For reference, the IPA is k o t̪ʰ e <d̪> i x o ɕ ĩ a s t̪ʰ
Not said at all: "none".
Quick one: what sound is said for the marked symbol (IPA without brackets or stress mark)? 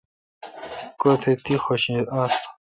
t̪